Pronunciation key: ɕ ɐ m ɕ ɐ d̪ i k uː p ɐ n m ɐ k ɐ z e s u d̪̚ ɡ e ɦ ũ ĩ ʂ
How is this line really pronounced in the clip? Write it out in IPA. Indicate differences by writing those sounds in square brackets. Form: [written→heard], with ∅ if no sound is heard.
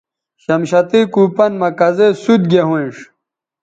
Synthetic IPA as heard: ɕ ɐ m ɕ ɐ [d̪→t̪] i k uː p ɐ n m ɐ k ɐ z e s u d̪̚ ɡ e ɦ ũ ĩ ʂ

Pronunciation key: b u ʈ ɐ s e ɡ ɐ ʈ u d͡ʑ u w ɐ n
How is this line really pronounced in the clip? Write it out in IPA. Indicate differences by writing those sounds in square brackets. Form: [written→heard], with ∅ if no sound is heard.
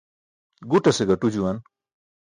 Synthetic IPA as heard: [b→ɡ] u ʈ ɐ s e ɡ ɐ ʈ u d͡ʑ u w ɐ n

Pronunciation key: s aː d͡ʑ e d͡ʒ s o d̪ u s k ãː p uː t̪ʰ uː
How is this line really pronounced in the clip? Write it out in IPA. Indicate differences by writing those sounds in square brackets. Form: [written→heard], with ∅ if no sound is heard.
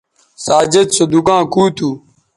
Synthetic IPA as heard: s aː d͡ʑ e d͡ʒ s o d̪ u [s→∅] k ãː [p→k] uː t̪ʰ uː

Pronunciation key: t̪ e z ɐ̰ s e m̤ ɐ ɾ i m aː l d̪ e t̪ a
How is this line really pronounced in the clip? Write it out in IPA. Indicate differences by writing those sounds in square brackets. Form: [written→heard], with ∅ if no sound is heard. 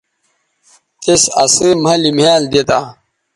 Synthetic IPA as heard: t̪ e [z→s] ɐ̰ s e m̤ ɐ [ɾ→l] i m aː l d̪ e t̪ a

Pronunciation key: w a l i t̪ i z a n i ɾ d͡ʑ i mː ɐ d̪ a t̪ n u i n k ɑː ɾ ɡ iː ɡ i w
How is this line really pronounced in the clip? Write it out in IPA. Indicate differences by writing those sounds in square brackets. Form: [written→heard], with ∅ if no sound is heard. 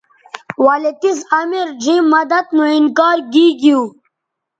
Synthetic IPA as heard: w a l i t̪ i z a [n→m] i ɾ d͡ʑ i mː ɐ d̪ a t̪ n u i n k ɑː ɾ ɡ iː ɡ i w

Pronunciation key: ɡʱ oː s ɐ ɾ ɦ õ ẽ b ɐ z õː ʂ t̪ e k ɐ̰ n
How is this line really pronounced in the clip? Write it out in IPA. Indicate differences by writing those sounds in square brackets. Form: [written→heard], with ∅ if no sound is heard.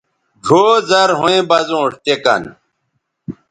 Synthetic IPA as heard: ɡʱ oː [s→z] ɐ ɾ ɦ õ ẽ b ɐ z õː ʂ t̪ e k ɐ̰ n

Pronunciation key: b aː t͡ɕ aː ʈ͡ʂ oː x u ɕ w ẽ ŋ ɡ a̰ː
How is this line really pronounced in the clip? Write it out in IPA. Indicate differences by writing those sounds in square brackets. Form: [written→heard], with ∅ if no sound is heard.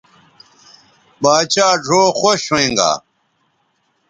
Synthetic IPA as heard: b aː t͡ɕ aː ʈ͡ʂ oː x [u→o] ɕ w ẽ ŋ ɡ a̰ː

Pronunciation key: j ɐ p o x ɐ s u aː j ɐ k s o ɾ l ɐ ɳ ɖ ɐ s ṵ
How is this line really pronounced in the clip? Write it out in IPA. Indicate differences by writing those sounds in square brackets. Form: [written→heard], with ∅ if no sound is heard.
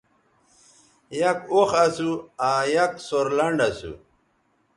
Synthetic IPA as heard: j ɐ [p→k] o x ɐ s u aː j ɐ k s o ɾ l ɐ ɳ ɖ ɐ s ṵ

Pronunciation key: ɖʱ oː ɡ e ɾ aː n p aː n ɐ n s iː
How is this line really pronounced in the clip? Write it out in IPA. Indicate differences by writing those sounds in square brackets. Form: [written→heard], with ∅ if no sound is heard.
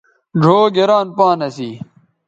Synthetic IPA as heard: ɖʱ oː ɡ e ɾ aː n p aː n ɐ [n→∅] s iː

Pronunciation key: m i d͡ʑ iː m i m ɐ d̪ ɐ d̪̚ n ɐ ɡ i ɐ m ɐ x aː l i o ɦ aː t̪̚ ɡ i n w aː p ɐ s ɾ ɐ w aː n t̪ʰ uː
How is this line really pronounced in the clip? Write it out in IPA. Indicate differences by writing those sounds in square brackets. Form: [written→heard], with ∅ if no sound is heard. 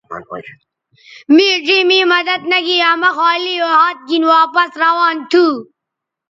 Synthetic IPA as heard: m i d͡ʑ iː m i m ɐ d̪ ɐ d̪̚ n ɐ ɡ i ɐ m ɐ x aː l i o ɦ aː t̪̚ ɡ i n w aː p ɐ s ɾ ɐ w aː n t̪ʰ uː

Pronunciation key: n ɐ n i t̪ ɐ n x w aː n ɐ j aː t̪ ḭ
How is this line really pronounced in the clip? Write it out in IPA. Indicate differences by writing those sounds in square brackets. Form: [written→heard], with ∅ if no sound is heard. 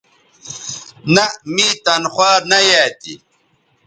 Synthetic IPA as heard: n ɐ [n→m] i t̪ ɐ n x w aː n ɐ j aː t̪ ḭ

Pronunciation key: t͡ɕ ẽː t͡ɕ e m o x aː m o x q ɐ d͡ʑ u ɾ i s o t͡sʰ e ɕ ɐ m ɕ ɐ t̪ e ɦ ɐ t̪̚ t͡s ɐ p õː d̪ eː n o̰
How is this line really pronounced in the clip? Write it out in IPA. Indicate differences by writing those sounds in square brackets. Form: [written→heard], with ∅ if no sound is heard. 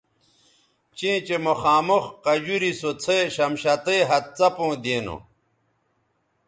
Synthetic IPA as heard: t͡ɕ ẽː t͡ɕ e m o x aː m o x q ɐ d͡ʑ u ɾ i s o t͡sʰ e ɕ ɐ m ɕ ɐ t̪ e ɦ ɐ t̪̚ t͡s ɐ p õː d̪ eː n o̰

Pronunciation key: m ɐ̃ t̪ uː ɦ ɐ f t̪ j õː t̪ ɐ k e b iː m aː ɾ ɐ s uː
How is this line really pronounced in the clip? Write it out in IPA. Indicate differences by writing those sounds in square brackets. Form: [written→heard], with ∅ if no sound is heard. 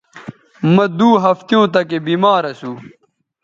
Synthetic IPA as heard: m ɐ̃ [t̪→d̪] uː ɦ ɐ f t̪ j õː t̪ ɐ k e b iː m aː ɾ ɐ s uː

